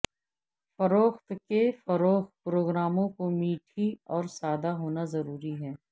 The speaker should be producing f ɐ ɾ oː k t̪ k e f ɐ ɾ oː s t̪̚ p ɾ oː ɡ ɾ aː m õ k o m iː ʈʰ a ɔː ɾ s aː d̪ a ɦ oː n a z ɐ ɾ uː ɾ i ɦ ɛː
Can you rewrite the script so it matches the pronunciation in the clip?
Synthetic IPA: f ɐ ɾ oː x t̪ k e f ɐ ɾ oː x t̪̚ p ɾ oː ɡ ɾ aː m õ k o m iː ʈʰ i ɔː ɾ s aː d̪ a ɦ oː n a z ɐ ɾ uː ɾ i ɦ ɛː